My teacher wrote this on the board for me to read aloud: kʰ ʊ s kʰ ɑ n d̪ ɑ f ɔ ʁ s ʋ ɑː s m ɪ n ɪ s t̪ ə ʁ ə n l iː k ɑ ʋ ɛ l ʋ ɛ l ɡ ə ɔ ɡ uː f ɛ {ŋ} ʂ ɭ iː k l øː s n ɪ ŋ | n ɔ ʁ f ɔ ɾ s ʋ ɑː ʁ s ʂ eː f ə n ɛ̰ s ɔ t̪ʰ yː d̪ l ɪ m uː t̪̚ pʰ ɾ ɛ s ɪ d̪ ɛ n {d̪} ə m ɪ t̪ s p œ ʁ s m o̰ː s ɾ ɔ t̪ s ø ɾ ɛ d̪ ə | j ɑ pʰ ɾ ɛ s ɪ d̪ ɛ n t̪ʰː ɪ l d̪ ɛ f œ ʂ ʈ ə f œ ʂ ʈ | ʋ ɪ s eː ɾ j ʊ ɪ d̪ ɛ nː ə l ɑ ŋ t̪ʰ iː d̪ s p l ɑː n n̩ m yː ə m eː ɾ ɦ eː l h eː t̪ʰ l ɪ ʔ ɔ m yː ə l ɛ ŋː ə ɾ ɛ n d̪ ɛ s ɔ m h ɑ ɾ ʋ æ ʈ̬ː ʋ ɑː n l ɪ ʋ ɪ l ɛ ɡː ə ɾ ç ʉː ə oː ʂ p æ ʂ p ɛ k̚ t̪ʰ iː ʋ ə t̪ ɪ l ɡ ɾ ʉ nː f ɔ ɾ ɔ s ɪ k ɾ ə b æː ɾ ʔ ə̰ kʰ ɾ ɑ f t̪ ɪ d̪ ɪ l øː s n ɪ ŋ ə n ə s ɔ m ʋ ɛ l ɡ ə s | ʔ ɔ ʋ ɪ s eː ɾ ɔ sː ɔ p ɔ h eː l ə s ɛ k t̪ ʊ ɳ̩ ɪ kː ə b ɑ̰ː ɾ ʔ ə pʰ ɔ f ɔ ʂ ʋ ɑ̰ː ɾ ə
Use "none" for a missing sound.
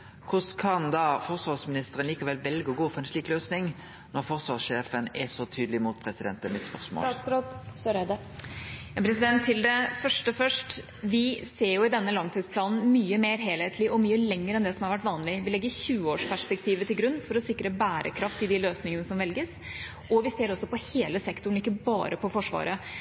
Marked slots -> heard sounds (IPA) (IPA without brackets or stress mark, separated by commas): n, t̪